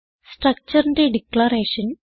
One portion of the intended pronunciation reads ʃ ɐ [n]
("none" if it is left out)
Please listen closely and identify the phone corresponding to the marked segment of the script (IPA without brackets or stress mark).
n